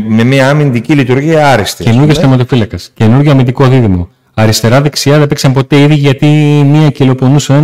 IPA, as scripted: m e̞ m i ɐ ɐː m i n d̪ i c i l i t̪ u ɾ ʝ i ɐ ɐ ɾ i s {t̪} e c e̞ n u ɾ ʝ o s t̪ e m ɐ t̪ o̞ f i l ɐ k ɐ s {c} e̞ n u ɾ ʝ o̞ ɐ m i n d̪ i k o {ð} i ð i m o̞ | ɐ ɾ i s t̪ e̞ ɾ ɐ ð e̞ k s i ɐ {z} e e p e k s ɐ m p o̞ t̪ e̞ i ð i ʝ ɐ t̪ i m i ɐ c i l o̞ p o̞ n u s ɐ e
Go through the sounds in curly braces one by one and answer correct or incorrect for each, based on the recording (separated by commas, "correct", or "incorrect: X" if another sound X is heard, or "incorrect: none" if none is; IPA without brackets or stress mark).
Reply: correct, correct, correct, incorrect: ð